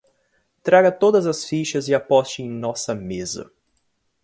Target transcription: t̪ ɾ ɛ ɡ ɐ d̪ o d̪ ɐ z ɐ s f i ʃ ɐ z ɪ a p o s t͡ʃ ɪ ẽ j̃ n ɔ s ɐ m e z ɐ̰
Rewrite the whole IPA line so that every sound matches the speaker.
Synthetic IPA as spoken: t̪ ɾ a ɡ ɐ t̪ o d̪ ɐ z ɐ s f i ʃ ɐ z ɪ a p ɔ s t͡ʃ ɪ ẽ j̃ n ɔ s ɐ m e z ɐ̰